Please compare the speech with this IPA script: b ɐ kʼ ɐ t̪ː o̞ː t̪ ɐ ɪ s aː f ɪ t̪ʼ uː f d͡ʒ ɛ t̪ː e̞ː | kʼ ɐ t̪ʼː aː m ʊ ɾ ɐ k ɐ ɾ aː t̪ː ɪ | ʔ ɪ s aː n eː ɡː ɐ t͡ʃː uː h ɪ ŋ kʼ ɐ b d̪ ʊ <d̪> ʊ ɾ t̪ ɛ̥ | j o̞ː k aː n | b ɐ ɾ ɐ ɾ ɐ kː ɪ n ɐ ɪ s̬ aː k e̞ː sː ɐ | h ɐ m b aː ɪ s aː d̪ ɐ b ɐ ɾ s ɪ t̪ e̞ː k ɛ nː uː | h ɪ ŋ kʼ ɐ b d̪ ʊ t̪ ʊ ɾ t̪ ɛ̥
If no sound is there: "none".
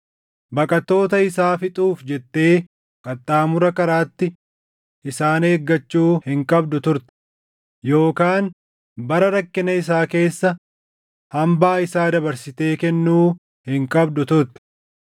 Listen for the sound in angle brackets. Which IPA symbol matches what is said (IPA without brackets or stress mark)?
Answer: t̪